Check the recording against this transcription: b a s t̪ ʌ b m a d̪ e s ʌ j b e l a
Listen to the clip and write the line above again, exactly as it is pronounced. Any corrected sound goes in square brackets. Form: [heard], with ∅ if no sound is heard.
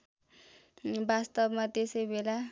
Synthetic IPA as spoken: b a s t̪ ʌ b m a [t̪] e s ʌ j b e l a